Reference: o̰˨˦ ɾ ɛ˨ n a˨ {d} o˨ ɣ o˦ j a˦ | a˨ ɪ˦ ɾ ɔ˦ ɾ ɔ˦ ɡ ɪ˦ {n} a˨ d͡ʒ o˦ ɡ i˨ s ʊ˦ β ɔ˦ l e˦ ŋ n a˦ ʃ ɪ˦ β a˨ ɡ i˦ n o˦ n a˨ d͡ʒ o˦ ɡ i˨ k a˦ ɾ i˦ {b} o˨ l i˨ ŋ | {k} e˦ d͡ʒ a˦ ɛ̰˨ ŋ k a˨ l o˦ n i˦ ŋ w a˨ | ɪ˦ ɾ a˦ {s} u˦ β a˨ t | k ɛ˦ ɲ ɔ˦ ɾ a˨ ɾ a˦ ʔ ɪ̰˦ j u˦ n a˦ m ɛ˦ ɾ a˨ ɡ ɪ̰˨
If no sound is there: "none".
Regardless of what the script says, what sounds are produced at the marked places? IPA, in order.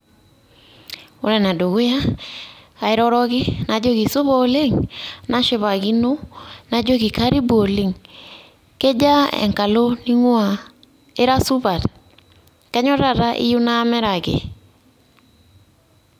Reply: d, n, b, k, s

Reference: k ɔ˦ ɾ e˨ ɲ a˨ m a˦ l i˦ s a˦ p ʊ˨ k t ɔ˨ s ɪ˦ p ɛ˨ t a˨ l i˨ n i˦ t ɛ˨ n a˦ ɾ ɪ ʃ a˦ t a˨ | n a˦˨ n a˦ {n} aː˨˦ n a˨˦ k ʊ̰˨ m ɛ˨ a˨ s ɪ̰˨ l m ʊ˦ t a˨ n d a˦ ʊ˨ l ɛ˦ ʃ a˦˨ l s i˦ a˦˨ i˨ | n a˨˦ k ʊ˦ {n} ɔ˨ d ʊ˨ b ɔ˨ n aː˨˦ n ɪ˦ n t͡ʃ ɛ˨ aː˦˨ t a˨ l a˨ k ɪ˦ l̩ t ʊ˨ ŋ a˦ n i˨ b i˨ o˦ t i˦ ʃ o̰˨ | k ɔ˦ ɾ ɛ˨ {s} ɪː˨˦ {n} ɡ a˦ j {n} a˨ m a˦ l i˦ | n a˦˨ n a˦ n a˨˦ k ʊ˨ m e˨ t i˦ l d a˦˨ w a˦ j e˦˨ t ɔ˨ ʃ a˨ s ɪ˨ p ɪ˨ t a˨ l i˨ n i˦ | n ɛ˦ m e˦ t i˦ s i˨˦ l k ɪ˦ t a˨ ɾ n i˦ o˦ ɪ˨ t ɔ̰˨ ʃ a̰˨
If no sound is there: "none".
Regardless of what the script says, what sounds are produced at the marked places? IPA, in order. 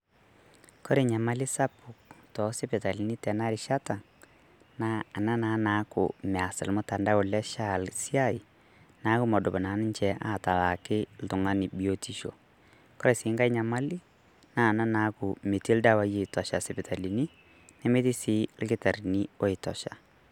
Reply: n, m, s, ŋ, ɲ

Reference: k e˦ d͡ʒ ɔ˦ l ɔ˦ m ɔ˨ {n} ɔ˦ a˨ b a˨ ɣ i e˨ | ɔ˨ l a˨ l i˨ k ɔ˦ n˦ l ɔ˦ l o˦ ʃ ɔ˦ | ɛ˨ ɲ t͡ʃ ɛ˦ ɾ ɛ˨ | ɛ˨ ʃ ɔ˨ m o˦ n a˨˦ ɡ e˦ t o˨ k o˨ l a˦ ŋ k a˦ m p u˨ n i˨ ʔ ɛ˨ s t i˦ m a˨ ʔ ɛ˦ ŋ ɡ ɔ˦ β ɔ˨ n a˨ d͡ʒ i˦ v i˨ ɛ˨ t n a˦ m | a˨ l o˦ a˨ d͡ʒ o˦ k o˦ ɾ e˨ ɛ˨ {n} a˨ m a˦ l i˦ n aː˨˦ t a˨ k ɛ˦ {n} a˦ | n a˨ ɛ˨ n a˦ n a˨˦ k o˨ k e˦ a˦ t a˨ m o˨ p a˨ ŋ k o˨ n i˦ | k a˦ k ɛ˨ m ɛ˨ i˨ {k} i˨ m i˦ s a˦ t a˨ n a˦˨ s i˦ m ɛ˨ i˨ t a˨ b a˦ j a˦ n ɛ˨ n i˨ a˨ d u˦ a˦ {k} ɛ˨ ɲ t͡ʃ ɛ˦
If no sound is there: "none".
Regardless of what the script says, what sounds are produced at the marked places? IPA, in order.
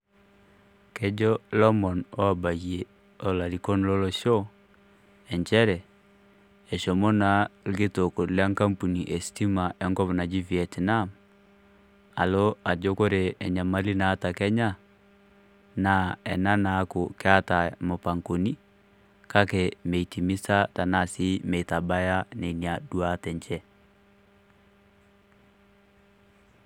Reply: n, ɲ, ɲ, t, t

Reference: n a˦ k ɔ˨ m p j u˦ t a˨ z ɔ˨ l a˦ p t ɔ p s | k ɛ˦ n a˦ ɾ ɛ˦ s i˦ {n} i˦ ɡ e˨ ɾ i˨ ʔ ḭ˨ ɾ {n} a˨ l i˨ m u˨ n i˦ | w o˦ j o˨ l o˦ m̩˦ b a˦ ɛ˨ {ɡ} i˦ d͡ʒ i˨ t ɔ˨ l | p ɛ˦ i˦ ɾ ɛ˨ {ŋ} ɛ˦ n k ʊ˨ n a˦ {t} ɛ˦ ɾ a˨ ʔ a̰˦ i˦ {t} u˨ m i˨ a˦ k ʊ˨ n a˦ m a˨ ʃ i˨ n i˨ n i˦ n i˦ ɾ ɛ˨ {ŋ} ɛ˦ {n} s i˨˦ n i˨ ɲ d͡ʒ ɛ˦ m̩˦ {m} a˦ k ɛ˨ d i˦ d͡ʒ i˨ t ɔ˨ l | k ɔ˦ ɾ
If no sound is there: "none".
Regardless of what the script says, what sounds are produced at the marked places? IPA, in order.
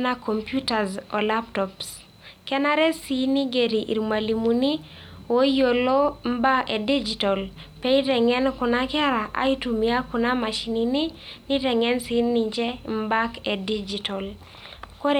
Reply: n, m, d, ŋ, k, t, ŋ, n, b

